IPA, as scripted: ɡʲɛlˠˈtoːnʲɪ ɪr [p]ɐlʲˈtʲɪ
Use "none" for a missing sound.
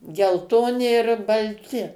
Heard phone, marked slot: b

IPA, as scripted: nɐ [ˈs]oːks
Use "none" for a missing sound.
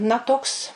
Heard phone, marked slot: t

